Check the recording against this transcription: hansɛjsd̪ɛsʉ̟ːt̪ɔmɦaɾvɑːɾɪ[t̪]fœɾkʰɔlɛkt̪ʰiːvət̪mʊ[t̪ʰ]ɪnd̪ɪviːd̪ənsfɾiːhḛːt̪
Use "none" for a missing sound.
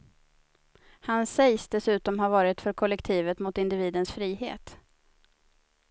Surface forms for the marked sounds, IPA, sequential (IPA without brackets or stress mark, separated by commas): t̪, t̪